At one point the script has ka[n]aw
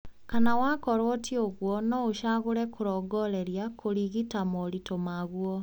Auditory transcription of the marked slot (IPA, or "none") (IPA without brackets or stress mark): n